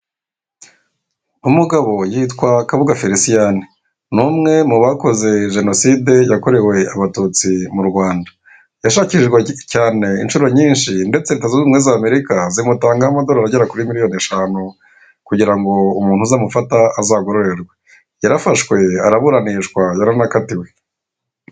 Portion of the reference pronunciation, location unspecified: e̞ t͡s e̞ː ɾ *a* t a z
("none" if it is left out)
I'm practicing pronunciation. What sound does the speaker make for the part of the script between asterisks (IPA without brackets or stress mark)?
e